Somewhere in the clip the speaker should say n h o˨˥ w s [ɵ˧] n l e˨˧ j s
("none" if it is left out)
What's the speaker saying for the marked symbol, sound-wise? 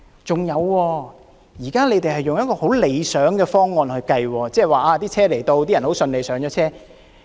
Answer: ɵ˧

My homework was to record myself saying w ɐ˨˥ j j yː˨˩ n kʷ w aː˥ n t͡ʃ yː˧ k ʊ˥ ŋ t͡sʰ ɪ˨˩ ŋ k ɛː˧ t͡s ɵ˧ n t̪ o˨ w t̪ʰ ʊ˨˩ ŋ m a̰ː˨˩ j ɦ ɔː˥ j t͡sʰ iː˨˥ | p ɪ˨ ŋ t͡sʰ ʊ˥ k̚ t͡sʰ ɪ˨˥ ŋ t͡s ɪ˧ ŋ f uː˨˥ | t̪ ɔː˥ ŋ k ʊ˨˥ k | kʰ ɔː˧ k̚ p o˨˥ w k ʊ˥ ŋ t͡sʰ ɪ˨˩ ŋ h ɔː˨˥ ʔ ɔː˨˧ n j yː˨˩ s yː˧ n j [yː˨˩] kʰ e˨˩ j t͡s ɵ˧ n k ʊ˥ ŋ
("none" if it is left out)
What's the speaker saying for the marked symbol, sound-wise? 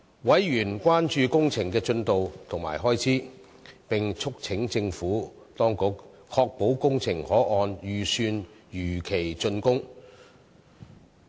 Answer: yː˨˩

